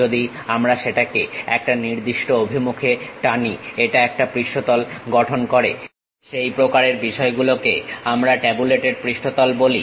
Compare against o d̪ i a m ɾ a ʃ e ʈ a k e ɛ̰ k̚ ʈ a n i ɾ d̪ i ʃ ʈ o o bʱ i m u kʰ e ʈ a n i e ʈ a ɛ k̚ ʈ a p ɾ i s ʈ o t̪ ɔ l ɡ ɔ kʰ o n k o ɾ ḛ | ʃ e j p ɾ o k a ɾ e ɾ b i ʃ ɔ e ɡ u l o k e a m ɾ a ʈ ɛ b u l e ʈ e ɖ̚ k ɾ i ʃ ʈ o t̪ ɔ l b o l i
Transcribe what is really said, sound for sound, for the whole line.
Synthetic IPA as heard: o d̪ i a m ɾ a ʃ e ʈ a k e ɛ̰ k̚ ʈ a n i ɾ d̪ i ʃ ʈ o o bʱ i m u kʰ e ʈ a n i e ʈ a ɛ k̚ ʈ a p ɾ i ʃ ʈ o t̪ ɔ l ɡ ɔ ʈʰ o n k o ɾ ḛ | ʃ e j p ɾ o k a ɾ e ɾ b i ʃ ɔ e ɡ u l o k e a m ɾ a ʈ ɛ b u l e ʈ e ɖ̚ p ɾ i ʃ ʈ o t̪ ɔ l b o l i

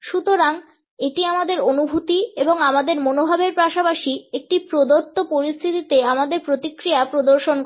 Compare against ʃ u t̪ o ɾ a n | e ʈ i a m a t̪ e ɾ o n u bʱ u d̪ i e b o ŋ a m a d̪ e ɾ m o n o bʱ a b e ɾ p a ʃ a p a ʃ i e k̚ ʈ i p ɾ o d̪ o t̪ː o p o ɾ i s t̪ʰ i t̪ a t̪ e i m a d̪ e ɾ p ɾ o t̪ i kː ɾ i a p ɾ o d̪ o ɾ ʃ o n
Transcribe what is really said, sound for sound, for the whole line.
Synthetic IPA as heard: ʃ u t̪ o ɾ a ŋ | e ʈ i a m a d̪ e ɾ o n u bʱ u t̪ i e b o ŋ a m a d̪ e ɾ m o n o bʱ a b e ɾ p a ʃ a p a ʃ i e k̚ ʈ i p ɾ o d̪ o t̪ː o p o ɾ i s t̪ʰ i t̪ i t̪ e a m a d̪ e ɾ p ɾ o t̪ i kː ɾ i a p ɾ o d̪ o ɾ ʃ o n

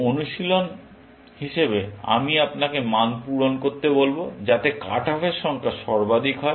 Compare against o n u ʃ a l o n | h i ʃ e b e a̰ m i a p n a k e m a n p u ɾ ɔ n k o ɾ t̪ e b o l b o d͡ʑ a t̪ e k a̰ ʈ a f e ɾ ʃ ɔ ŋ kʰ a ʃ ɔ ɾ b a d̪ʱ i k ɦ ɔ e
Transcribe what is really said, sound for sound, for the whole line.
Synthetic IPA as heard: o n u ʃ i l o n | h i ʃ e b e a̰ m i a p n a k e m a n p u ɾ o n k o ɾ t̪ e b o l b o d͡ʑ a t̪ e k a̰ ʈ a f e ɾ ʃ ɔ ŋ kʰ a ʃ ɔ ɾ b a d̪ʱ i k ɦ ɔ e

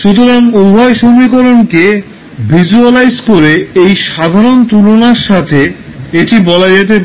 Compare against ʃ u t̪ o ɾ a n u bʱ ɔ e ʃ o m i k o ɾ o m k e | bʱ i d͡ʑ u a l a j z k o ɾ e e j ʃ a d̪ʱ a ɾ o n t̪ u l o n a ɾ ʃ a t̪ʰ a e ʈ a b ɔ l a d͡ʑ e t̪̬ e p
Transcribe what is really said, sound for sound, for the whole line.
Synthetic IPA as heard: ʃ u t̪ o ɾ a ŋ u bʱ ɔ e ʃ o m i k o ɾ o n k e | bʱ i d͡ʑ u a l a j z k o ɾ e e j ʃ a d̪ʱ a ɾ o n t̪ u l o n a ɾ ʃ a t̪ʰ e e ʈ i b ɔ l a d͡ʑ e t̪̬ e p

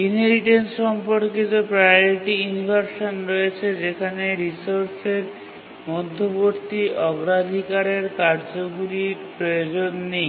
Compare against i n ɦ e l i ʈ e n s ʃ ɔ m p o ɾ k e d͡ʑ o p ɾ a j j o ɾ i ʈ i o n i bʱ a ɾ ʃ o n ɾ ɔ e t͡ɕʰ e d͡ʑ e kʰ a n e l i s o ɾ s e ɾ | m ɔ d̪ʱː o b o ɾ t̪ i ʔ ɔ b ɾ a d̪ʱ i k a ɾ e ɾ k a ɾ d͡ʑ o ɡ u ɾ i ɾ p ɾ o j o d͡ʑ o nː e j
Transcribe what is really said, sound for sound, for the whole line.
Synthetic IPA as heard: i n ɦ e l i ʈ e n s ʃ ɔ m p o ɾ k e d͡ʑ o p ɾ a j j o ɾ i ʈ i u n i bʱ a ɾ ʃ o n ɾ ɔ e t͡ɕʰ e d͡ʑ e kʰ a n e ɾ i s o ɾ s e ɾ | m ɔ d̪ʱː o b o ɾ t̪ i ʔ ɔ ɡ ɾ a d̪ʱ i k a ɾ e ɾ k a ɾ d͡ʑ o ɡ u ɾ i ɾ p ɾ o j o d͡ʑ o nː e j

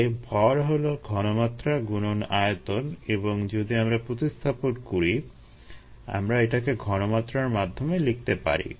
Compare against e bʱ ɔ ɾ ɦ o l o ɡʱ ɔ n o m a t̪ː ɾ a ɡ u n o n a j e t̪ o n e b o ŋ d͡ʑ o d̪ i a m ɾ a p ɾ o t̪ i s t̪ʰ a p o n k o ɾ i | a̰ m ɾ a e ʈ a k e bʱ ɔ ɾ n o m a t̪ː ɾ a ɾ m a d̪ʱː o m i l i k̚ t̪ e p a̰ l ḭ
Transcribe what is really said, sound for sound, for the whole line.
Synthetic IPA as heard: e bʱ ɔ ɾ ɦ o l o ɡʱ ɔ n o m a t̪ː ɾ a ɡ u n o n a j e t̪ o n e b o ŋ d͡ʑ o d̪ i a m ɾ a p ɾ o t̪ i s t̪ʰ a p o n k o ɾ i | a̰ m ɾ a e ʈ a k e ɡʱ ɔ n o m a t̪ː ɾ a ɾ m a d̪ʱː o m e l i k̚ t̪ e p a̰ ɾ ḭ

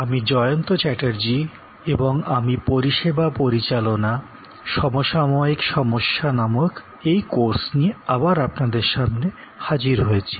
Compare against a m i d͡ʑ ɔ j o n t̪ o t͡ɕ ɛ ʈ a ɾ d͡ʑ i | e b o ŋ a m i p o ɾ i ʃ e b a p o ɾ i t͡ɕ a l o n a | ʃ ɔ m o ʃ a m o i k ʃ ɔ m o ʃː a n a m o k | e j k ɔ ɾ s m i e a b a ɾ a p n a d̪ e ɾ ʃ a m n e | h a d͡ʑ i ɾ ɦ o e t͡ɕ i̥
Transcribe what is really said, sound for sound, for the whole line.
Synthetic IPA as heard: a m i d͡ʑ ɔ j o n t̪ o t͡ɕ ɛ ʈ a ɾ d͡ʑ i | e b o ŋ a m i p o ɾ i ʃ e b a p o ɾ i t͡ɕ a l o n a | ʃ ɔ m o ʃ a m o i k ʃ ɔ m o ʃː a n a m o k | e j k o ɾ s n i e a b a ɾ a p n a d̪ e ɾ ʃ a m n e | h a d͡ʑ i ɾ ɦ o e t͡ɕʰ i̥

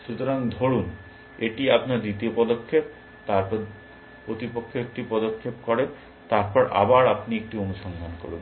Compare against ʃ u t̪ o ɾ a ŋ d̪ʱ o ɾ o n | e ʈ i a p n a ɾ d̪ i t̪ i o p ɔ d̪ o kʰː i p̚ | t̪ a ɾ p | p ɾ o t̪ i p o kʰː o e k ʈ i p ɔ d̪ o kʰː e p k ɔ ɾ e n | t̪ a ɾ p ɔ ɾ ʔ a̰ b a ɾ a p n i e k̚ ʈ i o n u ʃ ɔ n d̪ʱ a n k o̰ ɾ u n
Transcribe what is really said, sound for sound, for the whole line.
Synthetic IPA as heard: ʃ u t̪ o ɾ a ŋ d̪ʱ o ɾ u n | e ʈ i a p n a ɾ d̪ i t̪ i o p ɔ d̪ o kʰː e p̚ | t̪ a ɾ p | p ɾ o t̪ i p o kʰː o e k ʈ i p ɔ d̪ o kʰː e p k ɔ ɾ e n | t̪ a ɾ p ɔ ɾ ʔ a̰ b a ɾ a p n i e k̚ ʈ i o n u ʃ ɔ n d̪ʱ a n k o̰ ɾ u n

